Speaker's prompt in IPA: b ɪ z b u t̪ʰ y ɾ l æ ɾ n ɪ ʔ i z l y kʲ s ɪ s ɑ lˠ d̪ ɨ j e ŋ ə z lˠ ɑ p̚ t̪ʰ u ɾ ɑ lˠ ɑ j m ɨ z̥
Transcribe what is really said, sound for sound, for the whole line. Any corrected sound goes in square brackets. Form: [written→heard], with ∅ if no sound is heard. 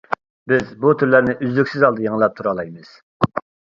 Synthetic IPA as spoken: b ɪ z b u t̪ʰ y ɾ l æ ɾ n ɪ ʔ [i→y] z l y kʲ s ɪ [s→z] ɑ lˠ d̪ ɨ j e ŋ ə [z→∅] lˠ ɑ p̚ t̪ʰ u ɾ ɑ lˠ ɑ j m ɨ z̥